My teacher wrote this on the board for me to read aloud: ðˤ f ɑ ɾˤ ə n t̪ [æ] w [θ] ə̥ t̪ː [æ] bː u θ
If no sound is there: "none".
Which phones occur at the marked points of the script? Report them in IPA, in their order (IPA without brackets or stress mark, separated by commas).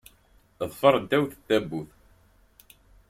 æ, θ, æ